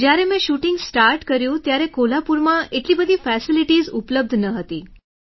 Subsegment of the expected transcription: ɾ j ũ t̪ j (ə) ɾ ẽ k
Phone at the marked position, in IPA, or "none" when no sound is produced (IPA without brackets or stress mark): a